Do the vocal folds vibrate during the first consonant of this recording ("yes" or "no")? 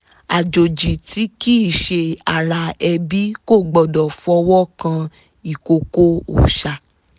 yes